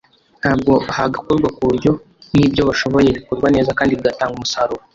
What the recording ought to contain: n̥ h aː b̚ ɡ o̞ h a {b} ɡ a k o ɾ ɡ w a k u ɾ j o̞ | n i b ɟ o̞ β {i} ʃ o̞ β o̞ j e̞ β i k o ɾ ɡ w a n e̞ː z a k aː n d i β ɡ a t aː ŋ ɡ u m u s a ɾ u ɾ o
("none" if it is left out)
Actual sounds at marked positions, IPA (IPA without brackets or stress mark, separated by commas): none, a